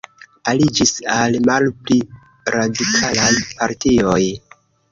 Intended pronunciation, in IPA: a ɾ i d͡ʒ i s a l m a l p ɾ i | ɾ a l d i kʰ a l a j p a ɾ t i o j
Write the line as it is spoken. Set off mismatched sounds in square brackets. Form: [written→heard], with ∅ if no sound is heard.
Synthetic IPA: a [ɾ→l] i d͡ʒ i s a l m a l p [ɾ→l] i | ɾ a [l→∅] d i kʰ a l a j p a ɾ t i o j

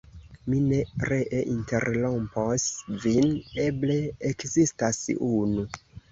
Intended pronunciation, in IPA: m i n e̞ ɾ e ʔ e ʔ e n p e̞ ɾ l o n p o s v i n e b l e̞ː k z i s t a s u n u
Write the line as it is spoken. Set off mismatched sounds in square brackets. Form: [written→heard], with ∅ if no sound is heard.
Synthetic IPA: m i n e̞ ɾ e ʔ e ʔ [e→i] n [p→t] e̞ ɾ l o [n→m] p o s v i n e b l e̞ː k z i s t a s u n u

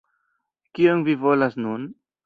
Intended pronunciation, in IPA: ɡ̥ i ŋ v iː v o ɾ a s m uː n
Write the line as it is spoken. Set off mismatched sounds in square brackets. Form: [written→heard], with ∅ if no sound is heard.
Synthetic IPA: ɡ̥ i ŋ v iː v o [ɾ→l] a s [m→n] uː n

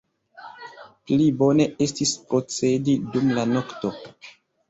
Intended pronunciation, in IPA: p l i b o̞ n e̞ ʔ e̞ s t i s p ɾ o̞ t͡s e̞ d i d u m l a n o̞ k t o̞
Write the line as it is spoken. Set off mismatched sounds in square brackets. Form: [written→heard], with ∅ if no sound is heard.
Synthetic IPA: p l i b o̞ n e̞ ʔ e̞ s t i s p ɾ o̞ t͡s e̞ d i d u m l a n o̞ k t o̞

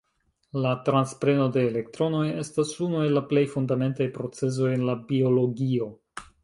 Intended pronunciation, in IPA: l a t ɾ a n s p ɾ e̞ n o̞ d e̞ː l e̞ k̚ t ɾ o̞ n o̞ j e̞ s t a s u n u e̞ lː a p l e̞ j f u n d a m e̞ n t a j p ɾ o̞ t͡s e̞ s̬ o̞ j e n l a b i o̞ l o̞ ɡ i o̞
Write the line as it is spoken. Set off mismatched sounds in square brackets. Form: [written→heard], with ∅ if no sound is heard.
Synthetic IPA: l a t ɾ a n s p ɾ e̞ n o̞ d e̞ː l e̞ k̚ t ɾ o̞ n o̞ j e̞ s t a s u n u e̞ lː a p l e̞ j f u n d a m e̞ n t a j p ɾ o̞ t͡s e̞ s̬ o̞ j e n l a b i o̞ l o̞ ɡ i o̞

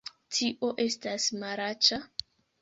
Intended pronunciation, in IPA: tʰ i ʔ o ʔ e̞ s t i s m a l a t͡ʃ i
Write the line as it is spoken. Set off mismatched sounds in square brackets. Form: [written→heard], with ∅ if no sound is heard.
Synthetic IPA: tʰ i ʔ o ʔ e̞ s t [i→a] s m a [l→ɾ] a t͡ʃ [i→a]

